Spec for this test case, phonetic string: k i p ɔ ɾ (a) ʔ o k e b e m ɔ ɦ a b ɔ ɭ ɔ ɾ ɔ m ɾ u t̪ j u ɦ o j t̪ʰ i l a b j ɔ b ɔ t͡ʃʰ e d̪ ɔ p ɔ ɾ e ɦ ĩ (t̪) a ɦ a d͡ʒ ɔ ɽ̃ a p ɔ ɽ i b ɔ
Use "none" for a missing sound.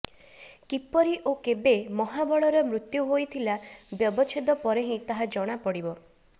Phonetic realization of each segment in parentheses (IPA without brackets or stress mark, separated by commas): i, t̪